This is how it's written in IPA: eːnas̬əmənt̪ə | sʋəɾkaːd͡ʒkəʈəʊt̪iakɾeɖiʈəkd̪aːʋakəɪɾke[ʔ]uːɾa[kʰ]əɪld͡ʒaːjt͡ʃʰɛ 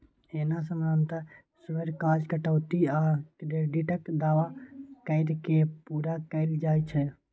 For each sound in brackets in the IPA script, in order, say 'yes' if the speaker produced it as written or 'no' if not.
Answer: no, no

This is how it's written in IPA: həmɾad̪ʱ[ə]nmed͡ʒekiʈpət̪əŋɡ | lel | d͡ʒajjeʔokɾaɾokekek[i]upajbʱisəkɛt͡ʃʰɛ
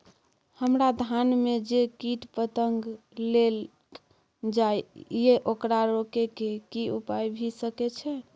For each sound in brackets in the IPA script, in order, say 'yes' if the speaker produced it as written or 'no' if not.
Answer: no, yes

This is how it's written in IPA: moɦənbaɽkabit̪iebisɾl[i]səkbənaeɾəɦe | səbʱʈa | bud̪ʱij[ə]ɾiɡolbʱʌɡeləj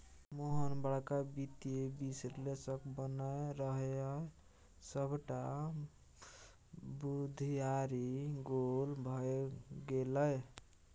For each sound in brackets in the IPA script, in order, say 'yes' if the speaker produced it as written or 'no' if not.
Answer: no, no

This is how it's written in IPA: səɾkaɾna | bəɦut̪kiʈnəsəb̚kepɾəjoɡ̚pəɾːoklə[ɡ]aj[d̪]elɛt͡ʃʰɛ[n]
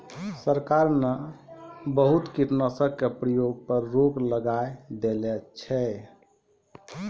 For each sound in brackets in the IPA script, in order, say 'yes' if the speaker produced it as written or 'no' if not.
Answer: yes, yes, no

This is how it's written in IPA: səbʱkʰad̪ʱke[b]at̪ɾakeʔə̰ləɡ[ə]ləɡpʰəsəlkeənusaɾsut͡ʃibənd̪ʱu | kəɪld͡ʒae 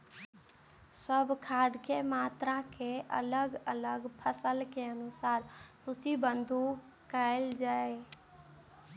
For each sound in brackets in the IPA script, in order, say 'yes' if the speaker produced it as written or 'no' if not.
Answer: no, yes

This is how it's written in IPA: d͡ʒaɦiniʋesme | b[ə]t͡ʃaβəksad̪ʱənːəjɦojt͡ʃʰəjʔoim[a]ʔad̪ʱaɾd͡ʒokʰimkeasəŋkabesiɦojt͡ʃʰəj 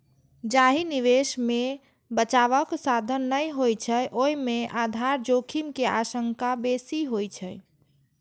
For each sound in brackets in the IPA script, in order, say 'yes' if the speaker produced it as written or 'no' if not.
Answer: yes, no

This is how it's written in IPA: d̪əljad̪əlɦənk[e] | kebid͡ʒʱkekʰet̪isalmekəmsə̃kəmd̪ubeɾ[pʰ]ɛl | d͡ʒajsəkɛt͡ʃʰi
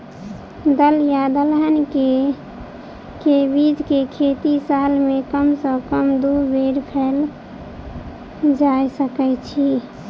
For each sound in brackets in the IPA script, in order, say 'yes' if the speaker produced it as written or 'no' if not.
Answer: yes, yes

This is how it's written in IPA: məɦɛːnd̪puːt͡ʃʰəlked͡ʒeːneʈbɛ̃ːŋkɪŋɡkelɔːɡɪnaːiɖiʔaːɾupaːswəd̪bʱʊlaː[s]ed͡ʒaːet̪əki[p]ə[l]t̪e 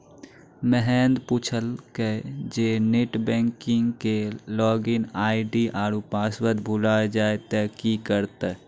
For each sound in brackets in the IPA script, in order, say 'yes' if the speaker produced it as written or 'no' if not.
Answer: no, no, no

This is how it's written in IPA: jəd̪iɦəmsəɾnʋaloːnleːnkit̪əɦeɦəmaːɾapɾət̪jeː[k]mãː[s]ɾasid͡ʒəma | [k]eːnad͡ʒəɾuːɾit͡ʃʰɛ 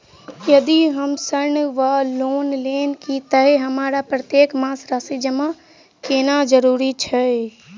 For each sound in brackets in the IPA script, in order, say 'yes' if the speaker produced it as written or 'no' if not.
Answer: yes, yes, yes

